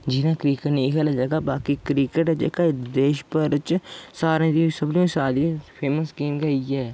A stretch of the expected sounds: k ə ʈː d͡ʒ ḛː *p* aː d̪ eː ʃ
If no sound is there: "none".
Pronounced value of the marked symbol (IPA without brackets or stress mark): k